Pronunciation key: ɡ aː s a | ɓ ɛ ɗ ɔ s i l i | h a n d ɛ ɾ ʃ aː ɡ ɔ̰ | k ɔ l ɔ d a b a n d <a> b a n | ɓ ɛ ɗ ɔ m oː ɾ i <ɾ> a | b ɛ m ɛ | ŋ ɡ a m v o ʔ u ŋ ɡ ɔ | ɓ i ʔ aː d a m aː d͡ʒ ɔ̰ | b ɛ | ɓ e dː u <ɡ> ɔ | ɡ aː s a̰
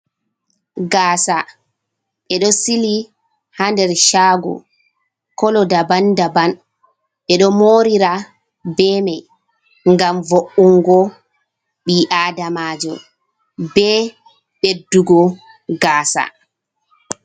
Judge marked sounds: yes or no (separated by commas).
yes, yes, yes